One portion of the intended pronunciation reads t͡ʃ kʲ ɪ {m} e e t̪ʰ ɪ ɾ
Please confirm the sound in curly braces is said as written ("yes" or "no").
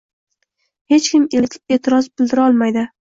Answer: yes